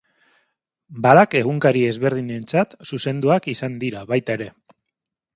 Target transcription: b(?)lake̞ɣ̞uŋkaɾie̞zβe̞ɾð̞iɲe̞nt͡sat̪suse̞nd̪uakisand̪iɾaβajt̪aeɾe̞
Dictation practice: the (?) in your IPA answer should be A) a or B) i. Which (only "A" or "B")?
A